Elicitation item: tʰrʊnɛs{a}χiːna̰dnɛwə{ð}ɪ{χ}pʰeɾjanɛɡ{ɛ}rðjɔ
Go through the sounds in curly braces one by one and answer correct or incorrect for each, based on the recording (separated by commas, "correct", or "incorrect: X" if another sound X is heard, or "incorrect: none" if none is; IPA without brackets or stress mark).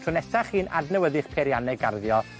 correct, correct, correct, incorrect: a